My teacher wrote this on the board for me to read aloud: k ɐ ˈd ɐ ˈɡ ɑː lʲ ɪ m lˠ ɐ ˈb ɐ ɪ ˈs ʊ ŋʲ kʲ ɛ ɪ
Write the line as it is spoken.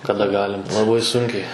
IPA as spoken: k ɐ ˈd ɐ ˈɡ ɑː lʲ ɪ m lˠ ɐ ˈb ɐ ɪ ˈs ʊ ŋʲ kʲ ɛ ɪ